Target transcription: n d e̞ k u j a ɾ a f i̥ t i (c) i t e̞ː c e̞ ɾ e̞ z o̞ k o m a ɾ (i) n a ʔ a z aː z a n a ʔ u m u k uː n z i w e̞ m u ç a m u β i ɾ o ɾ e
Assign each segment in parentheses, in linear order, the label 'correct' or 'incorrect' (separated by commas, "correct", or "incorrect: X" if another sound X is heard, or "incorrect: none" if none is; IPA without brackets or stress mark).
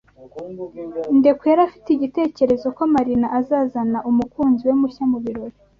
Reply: incorrect: ɟ, correct